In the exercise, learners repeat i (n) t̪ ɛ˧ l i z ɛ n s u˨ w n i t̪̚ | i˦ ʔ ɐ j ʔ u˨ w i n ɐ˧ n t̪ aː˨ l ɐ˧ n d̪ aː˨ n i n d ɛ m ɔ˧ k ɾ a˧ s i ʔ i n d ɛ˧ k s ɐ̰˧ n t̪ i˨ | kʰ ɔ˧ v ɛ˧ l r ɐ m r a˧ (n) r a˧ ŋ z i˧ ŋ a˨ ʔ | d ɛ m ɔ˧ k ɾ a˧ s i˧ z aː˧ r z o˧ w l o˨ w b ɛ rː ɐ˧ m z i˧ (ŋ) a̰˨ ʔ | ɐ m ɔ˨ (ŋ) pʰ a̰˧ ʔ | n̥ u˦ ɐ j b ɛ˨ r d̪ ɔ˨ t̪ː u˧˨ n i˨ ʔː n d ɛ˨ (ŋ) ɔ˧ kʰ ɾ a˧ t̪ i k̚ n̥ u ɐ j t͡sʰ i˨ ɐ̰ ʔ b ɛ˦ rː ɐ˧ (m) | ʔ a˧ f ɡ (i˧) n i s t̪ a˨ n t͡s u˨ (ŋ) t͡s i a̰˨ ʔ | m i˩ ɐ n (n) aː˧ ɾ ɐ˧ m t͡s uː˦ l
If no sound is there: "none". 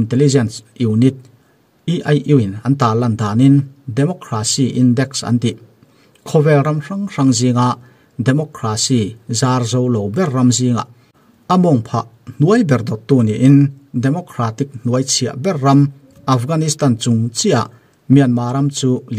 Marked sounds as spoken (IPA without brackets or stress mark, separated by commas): n, ŋ, ŋ, ŋ, m, m, a˧, ŋ, m